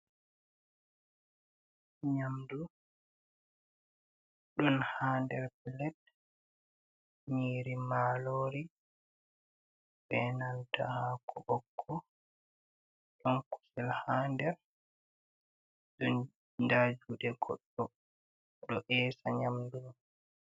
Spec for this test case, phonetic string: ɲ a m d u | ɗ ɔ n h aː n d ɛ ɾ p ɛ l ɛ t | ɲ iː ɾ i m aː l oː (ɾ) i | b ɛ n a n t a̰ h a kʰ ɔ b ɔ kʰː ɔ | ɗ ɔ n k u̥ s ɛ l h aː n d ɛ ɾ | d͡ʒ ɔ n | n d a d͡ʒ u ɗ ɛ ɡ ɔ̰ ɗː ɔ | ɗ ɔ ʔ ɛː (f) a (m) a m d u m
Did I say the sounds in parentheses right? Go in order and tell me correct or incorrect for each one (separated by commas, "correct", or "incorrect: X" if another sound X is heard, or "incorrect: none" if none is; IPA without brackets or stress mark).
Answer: correct, incorrect: s, incorrect: ɲ